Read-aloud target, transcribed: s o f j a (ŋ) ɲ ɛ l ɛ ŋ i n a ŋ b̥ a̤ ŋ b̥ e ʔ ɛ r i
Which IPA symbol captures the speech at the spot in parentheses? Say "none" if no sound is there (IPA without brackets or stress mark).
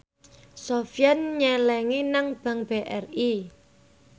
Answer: n